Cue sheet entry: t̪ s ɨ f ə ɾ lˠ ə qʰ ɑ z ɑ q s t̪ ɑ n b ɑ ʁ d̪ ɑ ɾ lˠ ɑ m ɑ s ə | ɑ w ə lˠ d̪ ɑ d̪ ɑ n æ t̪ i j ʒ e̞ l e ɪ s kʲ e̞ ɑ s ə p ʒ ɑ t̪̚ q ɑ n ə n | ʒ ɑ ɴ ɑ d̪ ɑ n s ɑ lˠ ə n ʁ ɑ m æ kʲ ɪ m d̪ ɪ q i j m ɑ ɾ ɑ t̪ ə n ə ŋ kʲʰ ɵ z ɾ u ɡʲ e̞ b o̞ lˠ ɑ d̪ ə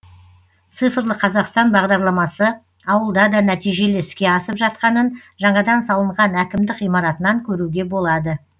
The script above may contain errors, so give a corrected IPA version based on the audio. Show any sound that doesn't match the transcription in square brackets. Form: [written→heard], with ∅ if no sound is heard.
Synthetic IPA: t̪ s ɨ f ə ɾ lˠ ə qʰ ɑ z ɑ q s t̪ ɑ n b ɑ ʁ d̪ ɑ ɾ lˠ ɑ m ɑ s ə | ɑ w ə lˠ d̪ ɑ d̪ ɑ n æ t̪ i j ʒ e̞ l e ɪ s kʲ e̞ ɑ s ə p ʒ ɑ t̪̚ q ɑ n ə n | ʒ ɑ ɴ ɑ d̪ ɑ n s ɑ lˠ ə [n→ɴ] ʁ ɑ [m→n] æ kʲ ɪ m d̪ ɪ q i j m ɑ ɾ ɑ t̪ ə n [ə→ɑ] ŋ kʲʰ ɵ [z→∅] ɾ u ɡʲ e̞ b o̞ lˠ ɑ d̪ ə